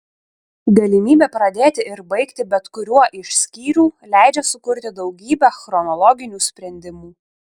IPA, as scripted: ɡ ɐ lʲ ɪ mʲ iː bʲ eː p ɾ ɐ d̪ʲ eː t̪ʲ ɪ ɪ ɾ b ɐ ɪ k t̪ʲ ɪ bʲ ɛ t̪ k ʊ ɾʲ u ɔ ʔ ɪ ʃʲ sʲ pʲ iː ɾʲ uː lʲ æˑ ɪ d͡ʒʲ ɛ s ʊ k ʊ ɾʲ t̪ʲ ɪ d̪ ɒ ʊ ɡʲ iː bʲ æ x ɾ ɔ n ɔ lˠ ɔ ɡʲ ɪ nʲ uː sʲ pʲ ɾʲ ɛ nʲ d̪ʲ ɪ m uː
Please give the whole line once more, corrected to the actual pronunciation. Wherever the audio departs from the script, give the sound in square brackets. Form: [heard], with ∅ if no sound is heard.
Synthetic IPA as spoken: ɡ ɐ lʲ ɪ mʲ iː bʲ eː p ɾ ɐ d̪ʲ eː t̪ʲ ɪ ɪ ɾ b ɐ ɪ k t̪ʲ ɪ bʲ ɛ t̪ k ʊ ɾʲ u ɔ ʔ ɪ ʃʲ sʲ [kʲ] iː ɾʲ uː lʲ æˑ ɪ d͡ʒʲ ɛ s ʊ k ʊ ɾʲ t̪ʲ ɪ d̪ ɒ ʊ ɡʲ iː bʲ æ x ɾ ɔ n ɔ lˠ ɔ ɡʲ ɪ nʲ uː sʲ pʲ ɾʲ ɛ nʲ d̪ʲ ɪ m uː